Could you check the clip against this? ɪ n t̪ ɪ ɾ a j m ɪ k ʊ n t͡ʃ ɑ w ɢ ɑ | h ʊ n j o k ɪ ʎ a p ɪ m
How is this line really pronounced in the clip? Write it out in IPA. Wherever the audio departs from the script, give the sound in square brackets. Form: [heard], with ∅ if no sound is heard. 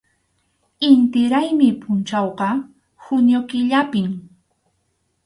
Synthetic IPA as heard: ɪ n t̪ ɪ ɾ a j m ɪ [p] ʊ n t͡ʃ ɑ w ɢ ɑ | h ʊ n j o k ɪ ʎ a p ɪ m